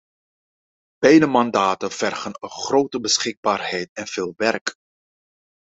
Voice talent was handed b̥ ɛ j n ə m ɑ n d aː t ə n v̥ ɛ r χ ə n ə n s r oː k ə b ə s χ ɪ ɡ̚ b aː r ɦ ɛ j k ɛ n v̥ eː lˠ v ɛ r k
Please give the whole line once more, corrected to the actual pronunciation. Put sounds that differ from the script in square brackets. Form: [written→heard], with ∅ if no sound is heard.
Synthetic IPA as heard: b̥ ɛ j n ə m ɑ n d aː t ə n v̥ ɛ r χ ə n ə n [s→χ] r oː [k→t] ə b ə s χ ɪ ɡ̚ b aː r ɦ ɛ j [k→t] ɛ n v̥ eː lˠ [v→ʋ] ɛ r k